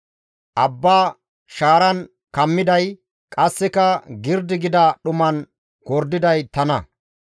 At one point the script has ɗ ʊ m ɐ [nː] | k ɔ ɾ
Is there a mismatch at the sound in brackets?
yes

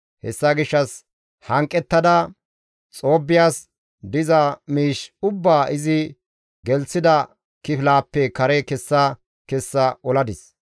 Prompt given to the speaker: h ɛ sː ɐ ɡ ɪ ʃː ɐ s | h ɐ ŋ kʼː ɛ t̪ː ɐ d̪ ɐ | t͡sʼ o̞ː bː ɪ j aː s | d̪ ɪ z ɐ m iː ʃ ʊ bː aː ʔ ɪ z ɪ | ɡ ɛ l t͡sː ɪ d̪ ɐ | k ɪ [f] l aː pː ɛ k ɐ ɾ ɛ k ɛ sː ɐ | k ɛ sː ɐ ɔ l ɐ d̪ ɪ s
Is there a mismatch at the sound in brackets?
no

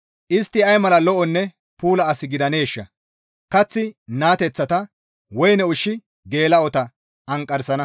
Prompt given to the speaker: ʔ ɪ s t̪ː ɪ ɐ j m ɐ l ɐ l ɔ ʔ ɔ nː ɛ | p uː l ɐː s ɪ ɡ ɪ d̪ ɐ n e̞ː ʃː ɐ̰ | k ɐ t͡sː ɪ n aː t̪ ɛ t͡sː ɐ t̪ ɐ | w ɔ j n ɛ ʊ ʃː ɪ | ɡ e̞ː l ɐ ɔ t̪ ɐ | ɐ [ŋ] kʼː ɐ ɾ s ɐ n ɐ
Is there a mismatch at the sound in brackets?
no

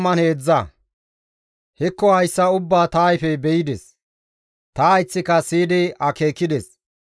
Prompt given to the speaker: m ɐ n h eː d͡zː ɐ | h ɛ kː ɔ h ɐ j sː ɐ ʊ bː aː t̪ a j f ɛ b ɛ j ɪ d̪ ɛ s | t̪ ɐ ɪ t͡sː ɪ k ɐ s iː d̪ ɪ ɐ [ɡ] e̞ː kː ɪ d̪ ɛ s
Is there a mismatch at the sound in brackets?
yes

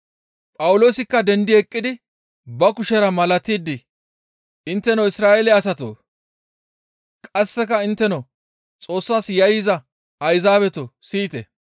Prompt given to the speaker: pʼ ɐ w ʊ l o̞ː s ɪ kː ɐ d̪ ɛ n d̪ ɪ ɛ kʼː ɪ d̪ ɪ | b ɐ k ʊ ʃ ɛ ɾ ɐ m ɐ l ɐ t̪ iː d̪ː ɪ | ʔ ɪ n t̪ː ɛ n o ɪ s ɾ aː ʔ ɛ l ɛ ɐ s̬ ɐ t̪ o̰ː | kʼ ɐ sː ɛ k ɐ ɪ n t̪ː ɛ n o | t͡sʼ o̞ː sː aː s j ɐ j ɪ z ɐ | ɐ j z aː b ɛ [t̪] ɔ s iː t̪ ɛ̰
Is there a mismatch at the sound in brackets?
no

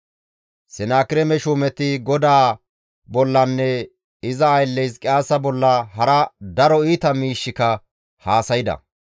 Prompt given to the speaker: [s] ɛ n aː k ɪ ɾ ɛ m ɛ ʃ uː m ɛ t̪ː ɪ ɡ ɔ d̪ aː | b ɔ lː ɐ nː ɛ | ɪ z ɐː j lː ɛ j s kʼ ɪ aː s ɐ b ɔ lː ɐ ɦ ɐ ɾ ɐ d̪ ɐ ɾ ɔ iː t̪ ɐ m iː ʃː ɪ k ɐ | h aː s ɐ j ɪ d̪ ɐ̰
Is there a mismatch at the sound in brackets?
no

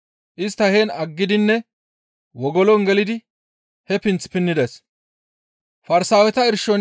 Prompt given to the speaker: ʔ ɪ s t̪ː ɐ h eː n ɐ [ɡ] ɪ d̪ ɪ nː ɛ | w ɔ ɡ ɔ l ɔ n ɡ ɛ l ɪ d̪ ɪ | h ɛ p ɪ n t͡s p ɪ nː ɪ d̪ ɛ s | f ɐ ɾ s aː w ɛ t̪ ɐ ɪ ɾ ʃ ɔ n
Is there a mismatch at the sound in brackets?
yes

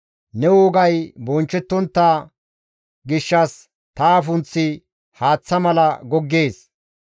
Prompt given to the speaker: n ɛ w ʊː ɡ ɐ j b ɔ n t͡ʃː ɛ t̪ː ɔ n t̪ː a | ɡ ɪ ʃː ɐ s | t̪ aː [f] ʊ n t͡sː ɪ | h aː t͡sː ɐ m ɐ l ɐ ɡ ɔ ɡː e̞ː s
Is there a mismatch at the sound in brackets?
no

